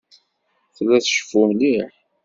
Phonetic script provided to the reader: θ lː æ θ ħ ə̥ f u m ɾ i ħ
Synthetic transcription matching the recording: θ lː æ θ ʃ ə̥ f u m l i ħ